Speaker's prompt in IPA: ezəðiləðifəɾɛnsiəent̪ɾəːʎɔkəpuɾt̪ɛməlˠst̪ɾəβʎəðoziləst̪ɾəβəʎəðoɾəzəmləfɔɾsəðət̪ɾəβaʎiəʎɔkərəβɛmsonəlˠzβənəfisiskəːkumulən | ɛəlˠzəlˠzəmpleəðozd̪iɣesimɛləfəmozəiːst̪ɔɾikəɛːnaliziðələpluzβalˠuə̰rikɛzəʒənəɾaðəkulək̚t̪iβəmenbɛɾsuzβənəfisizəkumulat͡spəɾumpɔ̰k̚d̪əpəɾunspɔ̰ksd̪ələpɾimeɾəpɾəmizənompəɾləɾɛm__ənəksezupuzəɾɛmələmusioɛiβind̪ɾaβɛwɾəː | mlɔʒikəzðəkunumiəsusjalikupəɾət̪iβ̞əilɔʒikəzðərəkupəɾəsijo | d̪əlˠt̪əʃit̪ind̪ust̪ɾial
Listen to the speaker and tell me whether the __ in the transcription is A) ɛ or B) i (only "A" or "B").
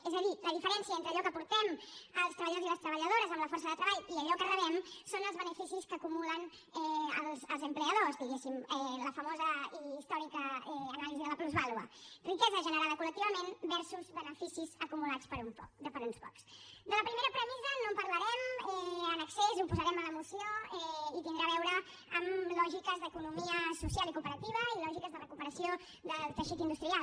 A